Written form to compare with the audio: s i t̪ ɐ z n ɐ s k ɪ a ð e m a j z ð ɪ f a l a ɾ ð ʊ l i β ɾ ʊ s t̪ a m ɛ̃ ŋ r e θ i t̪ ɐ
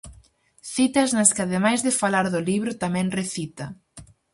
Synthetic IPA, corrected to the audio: θ i t̪ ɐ z n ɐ s k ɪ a ð e m a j z ð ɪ f a l a ɾ ð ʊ l i β ɾ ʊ t̪ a m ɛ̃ ŋ r e θ i t̪ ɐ